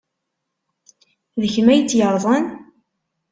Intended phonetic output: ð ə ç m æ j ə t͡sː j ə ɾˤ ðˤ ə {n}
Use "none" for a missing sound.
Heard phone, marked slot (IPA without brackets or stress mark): n